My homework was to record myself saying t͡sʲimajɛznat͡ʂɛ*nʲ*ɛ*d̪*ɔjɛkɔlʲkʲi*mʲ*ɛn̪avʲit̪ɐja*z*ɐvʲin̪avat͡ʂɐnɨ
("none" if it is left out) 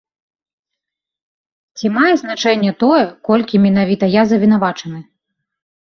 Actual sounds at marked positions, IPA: nʲː, t̪, mʲ, z

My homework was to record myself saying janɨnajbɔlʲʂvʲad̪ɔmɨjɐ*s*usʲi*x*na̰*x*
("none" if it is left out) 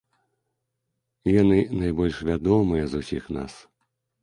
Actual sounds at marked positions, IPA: z, x, s

